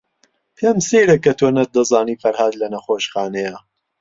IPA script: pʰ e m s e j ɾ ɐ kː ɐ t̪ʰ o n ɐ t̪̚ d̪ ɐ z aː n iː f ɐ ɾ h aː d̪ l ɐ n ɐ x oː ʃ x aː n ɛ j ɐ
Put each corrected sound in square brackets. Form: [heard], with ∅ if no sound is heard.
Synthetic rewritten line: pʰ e m s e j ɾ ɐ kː ɐ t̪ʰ o n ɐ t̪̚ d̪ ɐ z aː n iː f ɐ ɾ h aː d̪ l ɐ n ɐ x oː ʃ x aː n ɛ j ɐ